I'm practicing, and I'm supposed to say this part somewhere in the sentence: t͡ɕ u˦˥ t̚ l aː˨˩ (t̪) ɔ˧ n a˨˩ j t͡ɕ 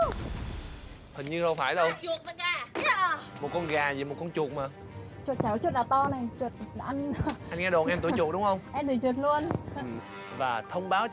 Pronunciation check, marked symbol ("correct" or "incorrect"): correct